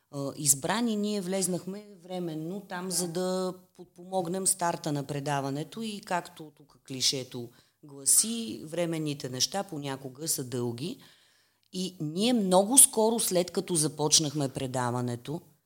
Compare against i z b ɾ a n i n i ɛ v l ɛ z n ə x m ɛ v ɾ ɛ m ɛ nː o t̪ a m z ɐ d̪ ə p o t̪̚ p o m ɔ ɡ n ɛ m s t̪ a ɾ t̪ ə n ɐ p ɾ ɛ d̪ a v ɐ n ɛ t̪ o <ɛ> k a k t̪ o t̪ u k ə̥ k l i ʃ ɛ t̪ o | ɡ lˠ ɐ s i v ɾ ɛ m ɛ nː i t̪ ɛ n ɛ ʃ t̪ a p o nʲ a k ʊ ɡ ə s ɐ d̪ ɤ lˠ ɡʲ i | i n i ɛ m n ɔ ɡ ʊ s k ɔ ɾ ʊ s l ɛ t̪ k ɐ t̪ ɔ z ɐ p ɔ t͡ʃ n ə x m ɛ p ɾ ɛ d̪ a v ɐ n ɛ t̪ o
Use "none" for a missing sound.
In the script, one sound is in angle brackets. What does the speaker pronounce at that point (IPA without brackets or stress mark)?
i